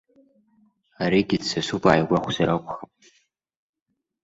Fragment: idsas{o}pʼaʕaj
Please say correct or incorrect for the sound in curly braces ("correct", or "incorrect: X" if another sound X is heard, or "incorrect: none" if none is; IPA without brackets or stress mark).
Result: incorrect: u